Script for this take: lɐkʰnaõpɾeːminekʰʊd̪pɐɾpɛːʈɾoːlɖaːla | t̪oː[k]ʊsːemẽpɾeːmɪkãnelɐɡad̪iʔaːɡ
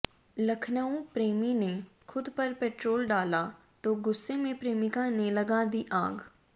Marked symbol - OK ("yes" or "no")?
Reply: no